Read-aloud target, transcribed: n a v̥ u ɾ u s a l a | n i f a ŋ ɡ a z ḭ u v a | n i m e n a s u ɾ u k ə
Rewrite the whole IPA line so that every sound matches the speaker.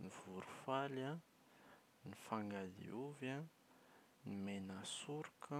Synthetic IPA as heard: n i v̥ u ɾ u f a l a | n i f a ŋ ɡ a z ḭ u v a | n i m e n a s u ɾ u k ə